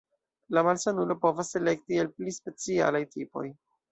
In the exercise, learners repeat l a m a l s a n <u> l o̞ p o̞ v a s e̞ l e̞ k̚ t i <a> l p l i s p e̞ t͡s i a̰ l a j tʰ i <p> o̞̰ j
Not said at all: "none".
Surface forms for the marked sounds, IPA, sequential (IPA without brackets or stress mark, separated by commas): u, e, p